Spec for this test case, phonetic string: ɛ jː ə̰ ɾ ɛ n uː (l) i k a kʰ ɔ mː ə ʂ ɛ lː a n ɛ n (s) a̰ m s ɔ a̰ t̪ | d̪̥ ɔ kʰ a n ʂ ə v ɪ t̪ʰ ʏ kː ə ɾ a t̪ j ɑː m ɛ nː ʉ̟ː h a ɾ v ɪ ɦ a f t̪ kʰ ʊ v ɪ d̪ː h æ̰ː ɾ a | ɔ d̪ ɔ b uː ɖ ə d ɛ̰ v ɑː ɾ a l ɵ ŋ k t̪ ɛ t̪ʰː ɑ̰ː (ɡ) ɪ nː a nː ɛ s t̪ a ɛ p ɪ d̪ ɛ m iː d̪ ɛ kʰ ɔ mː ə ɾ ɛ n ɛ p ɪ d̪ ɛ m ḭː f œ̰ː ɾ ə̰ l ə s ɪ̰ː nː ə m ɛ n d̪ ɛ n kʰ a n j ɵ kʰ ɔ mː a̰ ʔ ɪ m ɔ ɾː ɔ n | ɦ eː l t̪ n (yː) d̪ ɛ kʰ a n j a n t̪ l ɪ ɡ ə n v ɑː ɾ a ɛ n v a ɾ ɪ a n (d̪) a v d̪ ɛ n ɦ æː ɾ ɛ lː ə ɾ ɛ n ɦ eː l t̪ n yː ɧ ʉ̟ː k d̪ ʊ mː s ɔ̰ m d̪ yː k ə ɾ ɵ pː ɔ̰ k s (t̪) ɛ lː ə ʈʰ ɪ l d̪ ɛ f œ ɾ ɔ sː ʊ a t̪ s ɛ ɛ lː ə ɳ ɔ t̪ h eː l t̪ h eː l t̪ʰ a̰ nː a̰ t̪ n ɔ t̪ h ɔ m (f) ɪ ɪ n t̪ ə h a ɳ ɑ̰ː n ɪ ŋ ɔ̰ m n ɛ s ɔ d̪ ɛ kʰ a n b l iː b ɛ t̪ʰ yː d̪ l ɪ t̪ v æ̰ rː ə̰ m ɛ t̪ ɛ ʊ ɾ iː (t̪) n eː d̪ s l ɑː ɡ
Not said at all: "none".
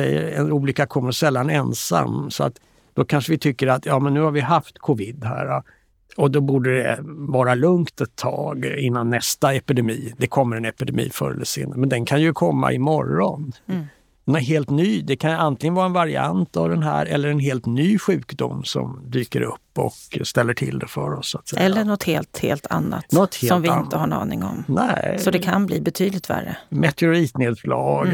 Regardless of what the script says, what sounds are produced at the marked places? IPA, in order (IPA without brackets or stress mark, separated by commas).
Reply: l, s, ɡ, yː, t̪, t̪, v, t̪